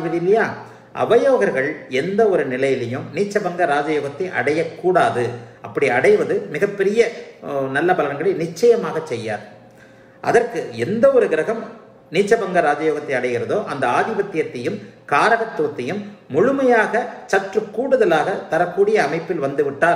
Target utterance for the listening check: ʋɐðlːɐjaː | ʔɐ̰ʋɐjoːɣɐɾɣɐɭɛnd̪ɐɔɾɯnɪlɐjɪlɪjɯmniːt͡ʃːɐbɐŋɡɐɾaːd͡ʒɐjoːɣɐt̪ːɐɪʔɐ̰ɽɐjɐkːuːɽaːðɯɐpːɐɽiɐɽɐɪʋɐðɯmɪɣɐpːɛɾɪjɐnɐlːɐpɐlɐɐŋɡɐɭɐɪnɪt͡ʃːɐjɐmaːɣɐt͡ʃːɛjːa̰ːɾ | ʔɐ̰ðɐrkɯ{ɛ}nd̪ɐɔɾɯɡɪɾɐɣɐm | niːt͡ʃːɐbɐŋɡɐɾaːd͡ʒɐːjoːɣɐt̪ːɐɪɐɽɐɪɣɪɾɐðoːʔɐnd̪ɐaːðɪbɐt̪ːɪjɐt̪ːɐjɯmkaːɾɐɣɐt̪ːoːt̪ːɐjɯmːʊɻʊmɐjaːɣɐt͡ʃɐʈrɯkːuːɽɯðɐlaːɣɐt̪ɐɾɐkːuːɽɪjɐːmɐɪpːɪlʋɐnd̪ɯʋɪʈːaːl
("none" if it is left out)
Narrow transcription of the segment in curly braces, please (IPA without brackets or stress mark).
ɛ